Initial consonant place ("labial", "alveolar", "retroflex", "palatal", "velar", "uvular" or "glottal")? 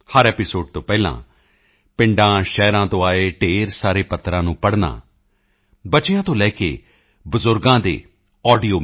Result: glottal